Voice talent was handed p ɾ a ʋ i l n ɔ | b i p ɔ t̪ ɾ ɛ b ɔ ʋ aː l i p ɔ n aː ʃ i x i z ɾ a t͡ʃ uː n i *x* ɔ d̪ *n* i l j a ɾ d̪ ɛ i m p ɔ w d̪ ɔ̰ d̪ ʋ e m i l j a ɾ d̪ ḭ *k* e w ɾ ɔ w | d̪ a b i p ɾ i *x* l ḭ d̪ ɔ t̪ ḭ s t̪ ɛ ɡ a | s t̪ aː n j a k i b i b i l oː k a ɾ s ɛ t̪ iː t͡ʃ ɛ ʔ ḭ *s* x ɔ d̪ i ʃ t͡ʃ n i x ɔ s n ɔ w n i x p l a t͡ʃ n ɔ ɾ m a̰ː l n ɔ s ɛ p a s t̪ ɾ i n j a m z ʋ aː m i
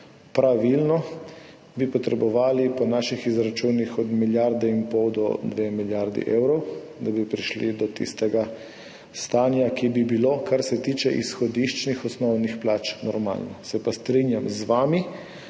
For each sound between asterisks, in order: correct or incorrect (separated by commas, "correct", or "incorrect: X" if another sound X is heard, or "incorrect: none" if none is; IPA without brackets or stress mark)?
correct, incorrect: m, incorrect: ʔ, incorrect: ʃ, correct